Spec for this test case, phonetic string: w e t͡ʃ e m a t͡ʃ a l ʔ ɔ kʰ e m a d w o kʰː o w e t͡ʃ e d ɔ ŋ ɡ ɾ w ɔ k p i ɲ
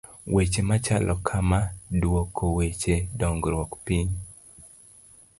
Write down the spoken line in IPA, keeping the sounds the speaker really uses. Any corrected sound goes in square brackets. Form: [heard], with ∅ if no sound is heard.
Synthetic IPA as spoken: w e t͡ʃ e m a t͡ʃ a l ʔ ɔ kʰ [a] m a d w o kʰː o w e t͡ʃ e d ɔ ŋ ɡ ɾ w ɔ k p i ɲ